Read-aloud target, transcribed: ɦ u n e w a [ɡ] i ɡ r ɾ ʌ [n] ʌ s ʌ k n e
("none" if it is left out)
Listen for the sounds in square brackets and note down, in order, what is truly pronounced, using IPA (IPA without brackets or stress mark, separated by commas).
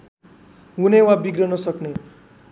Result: b, n